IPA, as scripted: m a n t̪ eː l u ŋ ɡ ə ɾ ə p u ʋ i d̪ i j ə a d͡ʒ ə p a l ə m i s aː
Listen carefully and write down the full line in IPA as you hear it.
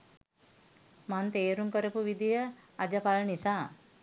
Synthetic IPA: m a n t̪ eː ɾ u ŋ k ə ɾ ə p u ʋ i d̪ i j ə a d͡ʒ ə p a l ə n i s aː